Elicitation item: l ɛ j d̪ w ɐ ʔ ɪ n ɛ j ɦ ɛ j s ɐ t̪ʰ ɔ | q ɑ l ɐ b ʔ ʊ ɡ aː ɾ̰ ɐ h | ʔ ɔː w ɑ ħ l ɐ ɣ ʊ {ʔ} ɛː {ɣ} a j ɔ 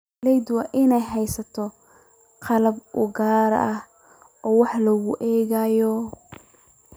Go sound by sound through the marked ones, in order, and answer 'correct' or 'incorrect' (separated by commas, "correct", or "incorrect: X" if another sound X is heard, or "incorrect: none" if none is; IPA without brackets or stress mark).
correct, correct